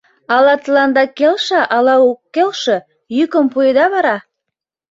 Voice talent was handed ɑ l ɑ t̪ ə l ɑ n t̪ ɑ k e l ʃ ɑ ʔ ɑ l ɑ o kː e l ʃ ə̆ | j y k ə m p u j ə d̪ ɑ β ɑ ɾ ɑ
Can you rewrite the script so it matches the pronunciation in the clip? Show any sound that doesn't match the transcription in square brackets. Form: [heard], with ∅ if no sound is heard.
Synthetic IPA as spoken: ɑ l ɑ t̪ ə l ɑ n [d̪] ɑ k e l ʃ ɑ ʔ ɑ l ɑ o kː e l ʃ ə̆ | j y k ə m p u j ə d̪ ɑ β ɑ ɾ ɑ